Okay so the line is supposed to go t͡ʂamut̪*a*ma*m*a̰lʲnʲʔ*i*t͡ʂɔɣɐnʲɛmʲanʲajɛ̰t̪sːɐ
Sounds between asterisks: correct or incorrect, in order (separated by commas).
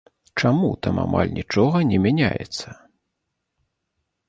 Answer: correct, correct, correct